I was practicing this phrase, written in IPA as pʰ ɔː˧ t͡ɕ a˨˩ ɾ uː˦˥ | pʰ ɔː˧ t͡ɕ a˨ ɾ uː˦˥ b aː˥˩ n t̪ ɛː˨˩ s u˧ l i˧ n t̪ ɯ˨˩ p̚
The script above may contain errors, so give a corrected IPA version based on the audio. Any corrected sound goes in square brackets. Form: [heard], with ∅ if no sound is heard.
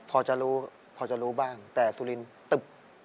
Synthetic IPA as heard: pʰ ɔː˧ t͡ɕ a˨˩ ɾ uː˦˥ | pʰ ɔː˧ t͡ɕ a˨ ɾ uː˦˥ b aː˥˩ [ŋ] t̪ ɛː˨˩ s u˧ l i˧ n t̪ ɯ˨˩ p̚